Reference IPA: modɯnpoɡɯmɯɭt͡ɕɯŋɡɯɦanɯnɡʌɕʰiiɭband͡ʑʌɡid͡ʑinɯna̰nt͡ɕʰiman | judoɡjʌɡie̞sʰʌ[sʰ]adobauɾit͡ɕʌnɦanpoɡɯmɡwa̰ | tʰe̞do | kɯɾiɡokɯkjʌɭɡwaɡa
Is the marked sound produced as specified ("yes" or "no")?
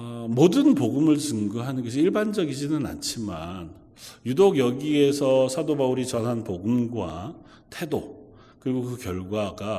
yes